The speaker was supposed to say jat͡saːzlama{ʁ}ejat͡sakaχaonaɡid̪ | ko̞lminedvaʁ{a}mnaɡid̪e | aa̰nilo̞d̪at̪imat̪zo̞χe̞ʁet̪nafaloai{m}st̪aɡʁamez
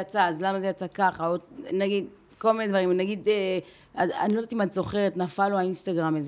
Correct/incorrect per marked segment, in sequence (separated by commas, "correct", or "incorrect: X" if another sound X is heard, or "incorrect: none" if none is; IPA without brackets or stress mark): incorrect: z, incorrect: i, incorrect: n